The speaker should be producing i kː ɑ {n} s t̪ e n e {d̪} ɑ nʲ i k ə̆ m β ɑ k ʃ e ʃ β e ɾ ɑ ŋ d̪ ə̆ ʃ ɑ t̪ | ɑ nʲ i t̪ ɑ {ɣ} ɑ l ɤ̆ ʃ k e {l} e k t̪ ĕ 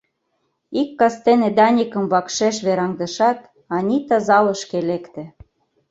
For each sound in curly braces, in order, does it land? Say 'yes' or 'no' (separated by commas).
no, yes, no, yes